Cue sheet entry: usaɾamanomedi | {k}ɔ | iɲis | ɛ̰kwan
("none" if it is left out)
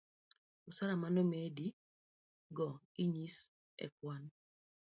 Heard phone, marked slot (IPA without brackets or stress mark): ɡ